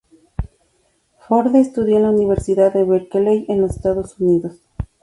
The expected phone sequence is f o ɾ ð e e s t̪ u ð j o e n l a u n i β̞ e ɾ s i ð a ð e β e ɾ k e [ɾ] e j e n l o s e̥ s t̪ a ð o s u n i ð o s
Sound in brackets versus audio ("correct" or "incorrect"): incorrect